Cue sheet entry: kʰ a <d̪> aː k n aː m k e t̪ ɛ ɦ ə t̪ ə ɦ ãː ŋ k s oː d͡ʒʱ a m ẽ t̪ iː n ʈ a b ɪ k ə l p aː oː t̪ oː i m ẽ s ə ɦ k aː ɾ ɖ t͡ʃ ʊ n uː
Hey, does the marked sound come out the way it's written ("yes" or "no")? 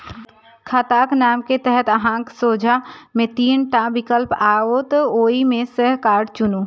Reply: no